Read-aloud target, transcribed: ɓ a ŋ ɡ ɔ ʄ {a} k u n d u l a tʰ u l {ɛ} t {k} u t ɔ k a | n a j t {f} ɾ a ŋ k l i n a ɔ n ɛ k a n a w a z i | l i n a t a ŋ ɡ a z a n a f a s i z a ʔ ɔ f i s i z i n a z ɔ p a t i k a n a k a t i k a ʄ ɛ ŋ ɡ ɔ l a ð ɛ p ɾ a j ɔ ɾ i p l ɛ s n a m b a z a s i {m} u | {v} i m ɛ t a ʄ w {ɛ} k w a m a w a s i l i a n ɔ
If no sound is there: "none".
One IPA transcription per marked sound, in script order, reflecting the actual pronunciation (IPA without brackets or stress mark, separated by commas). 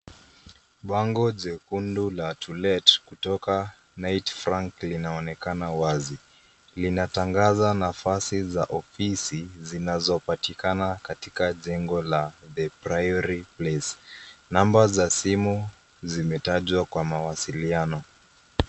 ɛ, ɛ, k, f, m, z, a